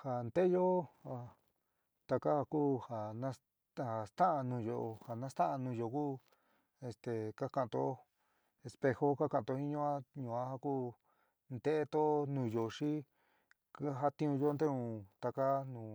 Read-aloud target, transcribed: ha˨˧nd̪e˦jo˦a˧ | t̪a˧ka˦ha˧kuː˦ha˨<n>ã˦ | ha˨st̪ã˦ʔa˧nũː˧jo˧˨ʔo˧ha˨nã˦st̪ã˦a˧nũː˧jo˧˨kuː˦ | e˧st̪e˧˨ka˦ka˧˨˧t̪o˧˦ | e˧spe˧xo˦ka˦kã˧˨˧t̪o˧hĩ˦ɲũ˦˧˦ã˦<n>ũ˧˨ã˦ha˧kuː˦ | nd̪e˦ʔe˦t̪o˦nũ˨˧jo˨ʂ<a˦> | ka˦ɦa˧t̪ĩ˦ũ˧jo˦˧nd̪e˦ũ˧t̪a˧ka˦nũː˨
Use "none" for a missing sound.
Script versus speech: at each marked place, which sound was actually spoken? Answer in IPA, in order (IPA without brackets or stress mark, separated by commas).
n, ɲ, i˦